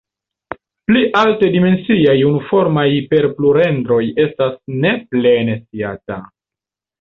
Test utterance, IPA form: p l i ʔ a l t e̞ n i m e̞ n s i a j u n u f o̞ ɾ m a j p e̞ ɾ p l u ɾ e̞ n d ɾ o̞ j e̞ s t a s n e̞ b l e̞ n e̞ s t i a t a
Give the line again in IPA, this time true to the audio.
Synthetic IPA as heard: p l i ʔ a l t e̞ d i m e̞ n s i a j u n u f o̞ ɾ m a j p e̞ ɾ p l u ɾ e̞ n d ɾ o̞ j e̞ s t a s n e̞ p l e̞ n e̞ s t i a t a